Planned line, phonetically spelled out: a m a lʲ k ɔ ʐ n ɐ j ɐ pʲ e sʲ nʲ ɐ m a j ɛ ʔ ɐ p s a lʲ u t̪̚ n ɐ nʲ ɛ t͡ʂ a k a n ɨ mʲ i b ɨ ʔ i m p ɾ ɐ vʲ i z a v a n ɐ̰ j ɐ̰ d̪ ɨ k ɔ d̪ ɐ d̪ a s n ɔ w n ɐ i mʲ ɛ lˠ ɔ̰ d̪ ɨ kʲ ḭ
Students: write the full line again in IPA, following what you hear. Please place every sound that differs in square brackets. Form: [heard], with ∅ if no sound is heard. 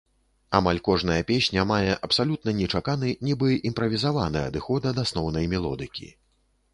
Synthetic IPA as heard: a m a lʲ k ɔ ʐ n ɐ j ɐ pʲ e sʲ nʲ ɐ m a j ɛ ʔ ɐ p s a lʲ u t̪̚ n ɐ nʲ ɛ t͡ʂ a k a n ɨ [nʲ] i b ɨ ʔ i m p ɾ ɐ vʲ i z a v a n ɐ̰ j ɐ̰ d̪ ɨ [x] ɔ d̪ ɐ d̪ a s n ɔ w n ɐ [j] mʲ ɛ lˠ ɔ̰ d̪ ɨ kʲ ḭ